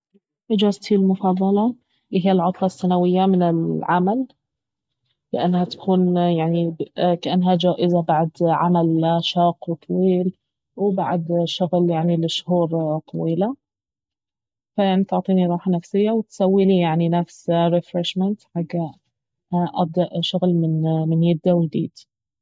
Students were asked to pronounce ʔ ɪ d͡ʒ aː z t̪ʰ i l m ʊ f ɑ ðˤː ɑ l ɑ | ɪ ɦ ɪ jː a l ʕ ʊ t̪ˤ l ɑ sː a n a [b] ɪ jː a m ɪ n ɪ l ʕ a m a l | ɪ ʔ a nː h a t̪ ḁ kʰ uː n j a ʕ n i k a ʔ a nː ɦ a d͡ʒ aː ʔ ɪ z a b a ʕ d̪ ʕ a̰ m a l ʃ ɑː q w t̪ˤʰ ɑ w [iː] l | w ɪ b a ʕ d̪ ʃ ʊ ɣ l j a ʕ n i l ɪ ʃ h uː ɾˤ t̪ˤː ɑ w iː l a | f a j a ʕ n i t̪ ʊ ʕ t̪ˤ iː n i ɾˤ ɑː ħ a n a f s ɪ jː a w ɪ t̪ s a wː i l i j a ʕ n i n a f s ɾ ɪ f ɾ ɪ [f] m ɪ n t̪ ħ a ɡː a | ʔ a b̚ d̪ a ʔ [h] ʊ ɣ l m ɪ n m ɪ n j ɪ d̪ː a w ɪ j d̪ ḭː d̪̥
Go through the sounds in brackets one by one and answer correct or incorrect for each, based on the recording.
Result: incorrect, correct, incorrect, incorrect

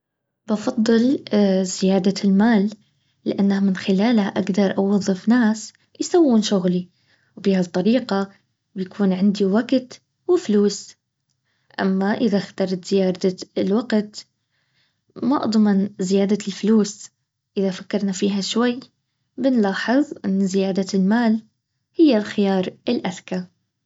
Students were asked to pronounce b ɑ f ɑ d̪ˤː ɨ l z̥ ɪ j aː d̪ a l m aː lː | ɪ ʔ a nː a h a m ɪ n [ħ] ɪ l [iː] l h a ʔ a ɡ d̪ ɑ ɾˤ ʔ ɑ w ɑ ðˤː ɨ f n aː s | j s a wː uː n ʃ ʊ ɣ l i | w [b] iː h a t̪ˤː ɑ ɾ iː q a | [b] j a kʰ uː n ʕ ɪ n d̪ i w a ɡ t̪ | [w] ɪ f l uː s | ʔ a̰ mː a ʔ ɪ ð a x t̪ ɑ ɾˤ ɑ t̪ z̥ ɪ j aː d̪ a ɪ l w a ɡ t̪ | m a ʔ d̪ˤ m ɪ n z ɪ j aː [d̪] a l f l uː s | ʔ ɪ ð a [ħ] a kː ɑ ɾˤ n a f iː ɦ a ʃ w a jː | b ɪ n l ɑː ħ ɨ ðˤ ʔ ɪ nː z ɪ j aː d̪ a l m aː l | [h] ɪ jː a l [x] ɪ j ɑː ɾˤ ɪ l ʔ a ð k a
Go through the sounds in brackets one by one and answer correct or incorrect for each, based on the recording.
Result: incorrect, incorrect, correct, correct, correct, correct, incorrect, correct, correct

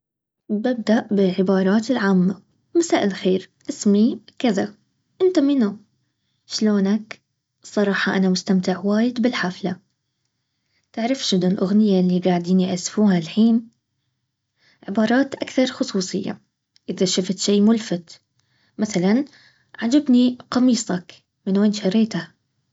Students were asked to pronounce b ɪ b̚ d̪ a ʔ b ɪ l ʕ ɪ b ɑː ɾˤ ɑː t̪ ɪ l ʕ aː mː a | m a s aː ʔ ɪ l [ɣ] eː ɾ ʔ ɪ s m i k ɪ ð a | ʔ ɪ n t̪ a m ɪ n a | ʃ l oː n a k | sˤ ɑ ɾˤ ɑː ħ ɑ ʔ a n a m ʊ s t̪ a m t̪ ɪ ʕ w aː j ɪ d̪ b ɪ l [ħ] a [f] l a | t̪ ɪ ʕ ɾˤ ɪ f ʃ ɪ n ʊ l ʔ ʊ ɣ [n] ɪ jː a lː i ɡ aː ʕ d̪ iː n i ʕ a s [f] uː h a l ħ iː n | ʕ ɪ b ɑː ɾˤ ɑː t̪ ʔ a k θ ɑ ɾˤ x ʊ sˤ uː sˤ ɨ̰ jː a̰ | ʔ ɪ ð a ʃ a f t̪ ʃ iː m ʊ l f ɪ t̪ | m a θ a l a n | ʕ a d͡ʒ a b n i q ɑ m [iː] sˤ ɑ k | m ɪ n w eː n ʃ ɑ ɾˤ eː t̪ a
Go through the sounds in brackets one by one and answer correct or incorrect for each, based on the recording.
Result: incorrect, correct, correct, correct, correct, correct

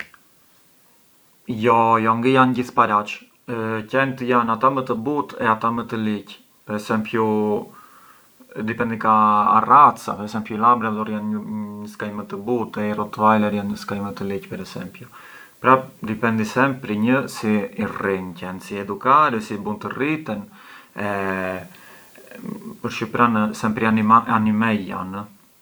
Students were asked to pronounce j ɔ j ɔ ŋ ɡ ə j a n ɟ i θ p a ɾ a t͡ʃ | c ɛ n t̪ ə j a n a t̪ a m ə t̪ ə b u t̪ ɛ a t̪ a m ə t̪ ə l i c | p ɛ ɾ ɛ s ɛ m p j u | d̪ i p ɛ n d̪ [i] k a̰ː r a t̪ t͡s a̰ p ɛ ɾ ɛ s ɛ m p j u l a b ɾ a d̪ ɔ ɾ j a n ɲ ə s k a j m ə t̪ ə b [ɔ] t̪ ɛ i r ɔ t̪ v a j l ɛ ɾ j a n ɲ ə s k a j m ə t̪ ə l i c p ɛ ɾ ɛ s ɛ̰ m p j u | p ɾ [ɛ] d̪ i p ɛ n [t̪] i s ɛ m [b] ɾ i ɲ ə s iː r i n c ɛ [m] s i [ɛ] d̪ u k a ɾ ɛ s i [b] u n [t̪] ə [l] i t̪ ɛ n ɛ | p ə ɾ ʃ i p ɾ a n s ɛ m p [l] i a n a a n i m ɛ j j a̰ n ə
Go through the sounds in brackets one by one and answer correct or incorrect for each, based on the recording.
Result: correct, incorrect, incorrect, incorrect, incorrect, incorrect, correct, correct, correct, incorrect, incorrect

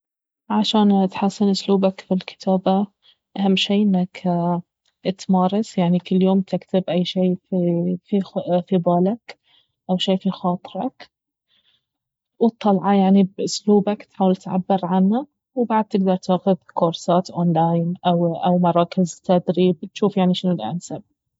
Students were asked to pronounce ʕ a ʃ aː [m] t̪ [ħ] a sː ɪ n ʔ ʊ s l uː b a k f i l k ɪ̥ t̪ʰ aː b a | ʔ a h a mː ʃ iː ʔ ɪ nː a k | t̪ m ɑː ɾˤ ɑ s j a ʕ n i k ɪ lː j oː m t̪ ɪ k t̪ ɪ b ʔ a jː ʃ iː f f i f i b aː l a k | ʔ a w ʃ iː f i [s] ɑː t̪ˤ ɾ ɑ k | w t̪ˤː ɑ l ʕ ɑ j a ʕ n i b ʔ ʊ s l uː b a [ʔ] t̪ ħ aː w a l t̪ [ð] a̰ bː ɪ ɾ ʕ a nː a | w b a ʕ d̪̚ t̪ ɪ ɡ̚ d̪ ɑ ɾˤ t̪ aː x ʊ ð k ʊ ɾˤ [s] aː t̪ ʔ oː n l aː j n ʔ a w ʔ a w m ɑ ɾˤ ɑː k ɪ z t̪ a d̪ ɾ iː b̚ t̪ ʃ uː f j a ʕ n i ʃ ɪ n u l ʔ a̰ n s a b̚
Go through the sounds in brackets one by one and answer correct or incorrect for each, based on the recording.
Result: incorrect, correct, incorrect, incorrect, incorrect, correct

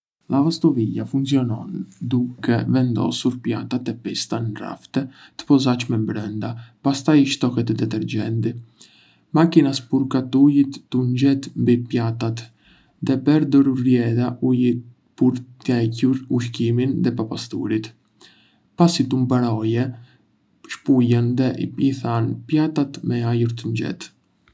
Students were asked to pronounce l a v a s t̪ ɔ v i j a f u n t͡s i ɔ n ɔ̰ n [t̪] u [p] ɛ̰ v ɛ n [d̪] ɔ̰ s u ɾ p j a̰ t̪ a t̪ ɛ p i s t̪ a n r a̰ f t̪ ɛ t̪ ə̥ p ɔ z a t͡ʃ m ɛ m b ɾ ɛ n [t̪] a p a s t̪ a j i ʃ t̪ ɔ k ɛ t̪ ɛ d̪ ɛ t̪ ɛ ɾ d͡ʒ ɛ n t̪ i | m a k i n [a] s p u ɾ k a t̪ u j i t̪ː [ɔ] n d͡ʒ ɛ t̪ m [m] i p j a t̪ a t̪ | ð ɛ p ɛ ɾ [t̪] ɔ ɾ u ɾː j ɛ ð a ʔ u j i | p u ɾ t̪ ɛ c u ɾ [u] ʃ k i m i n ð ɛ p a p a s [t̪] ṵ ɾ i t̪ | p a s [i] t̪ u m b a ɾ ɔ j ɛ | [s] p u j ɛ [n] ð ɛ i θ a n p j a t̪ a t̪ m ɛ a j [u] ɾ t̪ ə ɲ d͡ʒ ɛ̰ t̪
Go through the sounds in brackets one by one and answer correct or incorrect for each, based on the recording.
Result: incorrect, incorrect, correct, incorrect, correct, incorrect, incorrect, incorrect, correct, correct, correct, incorrect, correct, correct

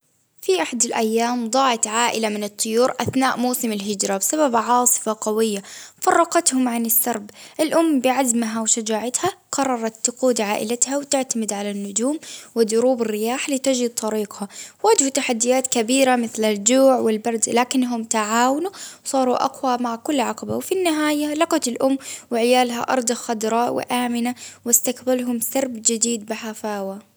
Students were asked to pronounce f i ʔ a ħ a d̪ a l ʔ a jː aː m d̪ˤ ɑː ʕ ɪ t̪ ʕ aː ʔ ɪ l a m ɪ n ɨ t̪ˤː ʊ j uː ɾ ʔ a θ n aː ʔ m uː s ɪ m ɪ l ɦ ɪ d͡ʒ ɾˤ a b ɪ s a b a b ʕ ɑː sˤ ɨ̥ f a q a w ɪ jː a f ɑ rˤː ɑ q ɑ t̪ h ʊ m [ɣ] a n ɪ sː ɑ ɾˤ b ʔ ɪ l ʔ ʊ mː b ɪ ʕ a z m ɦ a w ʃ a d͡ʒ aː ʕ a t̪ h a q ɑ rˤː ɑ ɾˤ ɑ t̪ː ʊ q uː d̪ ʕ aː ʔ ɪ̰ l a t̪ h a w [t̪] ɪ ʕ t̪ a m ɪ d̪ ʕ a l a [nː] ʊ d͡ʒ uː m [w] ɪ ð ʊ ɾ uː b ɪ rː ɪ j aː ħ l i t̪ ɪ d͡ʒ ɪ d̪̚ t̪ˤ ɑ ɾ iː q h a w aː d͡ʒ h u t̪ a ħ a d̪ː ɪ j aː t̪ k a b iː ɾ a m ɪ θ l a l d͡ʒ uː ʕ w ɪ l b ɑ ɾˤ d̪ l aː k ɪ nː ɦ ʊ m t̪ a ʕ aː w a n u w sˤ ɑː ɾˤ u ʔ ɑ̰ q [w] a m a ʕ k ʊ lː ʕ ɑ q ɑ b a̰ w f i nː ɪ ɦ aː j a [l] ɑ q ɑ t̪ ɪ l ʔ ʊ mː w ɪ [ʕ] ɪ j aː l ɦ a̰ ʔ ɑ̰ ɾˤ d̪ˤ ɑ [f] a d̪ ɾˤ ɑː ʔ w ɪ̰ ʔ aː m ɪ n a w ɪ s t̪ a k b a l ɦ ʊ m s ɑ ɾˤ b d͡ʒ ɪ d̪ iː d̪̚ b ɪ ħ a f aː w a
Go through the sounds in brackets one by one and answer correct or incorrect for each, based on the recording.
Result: incorrect, correct, correct, correct, correct, correct, correct, incorrect

